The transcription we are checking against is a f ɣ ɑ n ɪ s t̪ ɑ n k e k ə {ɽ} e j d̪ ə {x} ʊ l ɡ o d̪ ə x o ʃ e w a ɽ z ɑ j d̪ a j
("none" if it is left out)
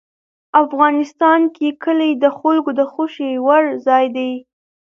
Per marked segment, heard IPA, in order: l, x

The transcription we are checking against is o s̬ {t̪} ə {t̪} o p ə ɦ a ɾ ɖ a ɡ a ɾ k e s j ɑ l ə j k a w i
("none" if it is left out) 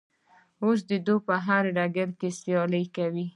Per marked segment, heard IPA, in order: d̪, d̪

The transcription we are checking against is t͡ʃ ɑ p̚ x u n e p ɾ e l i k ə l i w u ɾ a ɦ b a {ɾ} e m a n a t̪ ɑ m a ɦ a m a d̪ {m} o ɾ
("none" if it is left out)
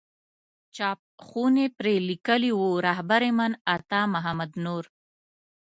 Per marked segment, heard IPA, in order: ɾ, n

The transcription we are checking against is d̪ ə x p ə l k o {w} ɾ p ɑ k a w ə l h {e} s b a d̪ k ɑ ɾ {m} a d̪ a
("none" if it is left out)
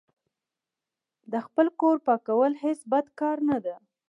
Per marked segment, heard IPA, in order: none, e, n

